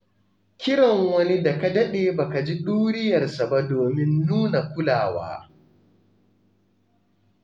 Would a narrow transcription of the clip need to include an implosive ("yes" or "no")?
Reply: yes